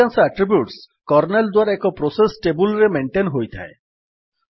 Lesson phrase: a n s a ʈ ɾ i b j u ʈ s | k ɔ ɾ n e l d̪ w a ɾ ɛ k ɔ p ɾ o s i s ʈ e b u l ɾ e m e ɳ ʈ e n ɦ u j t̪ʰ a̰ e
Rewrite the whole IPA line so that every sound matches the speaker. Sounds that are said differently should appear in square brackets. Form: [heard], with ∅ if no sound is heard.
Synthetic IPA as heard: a n s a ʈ ɾ i b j u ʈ s | k ɔ ɾ n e l d̪ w a ɾ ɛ k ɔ p ɾ o s [e] s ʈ e b u l ɾ e m e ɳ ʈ e n ɦ [o] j t̪ʰ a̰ e